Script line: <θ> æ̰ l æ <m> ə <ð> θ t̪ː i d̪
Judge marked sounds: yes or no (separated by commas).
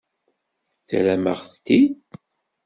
yes, yes, no